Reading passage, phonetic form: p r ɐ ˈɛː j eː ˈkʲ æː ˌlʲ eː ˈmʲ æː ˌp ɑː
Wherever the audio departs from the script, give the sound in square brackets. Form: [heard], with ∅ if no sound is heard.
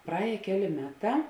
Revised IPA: p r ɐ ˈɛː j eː ˈkʲ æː ˌlʲ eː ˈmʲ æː [ˌt] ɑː